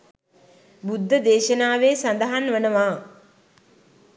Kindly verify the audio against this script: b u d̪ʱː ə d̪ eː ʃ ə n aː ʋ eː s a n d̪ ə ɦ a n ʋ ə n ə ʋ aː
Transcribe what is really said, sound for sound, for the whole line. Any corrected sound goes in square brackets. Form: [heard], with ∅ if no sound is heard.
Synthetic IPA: b u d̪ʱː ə d̪ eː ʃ ə n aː ʋ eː s a n d̪ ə ɦ a n ʋ ə n ə ʋ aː